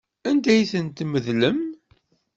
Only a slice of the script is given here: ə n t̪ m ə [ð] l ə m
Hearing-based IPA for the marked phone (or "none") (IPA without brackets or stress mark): ð